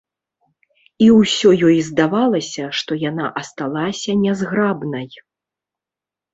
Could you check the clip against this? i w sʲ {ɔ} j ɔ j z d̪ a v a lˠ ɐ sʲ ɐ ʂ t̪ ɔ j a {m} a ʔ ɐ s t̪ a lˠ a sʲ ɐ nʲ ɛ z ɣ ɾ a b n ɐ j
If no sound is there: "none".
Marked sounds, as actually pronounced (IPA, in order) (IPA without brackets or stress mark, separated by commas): ɔ, n